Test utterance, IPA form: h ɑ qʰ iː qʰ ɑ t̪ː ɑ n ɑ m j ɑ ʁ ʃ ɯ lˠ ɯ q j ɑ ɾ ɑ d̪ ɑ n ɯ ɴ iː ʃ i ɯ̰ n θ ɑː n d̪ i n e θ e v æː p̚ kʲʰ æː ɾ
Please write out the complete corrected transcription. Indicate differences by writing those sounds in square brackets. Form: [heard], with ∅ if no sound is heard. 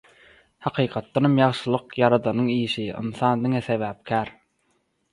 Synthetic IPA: h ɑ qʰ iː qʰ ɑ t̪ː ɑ n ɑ m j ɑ ʁ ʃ ɯ lˠ ɯ q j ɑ ɾ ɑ d̪ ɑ n ɯ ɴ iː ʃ i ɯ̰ n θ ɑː n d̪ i [ŋ] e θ e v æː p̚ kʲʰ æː ɾ